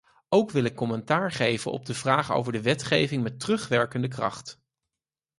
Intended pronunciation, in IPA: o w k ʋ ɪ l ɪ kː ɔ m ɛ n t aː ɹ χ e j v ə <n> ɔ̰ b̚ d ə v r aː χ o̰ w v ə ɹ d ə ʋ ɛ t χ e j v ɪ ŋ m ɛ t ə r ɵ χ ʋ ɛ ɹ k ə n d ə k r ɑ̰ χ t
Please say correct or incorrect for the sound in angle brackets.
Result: correct